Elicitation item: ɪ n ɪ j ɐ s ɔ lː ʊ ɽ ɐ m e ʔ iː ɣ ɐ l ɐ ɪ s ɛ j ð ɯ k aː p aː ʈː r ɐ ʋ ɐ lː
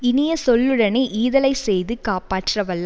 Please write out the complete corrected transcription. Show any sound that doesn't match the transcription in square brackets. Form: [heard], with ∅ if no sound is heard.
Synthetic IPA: ɪ n ɪ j ɐ s ɔ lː [ɯ] ɽ ɐ [n] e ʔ iː [ð] ɐ l ɐ ɪ s ɛ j ð ɯ k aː p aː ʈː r ɐ ʋ ɐ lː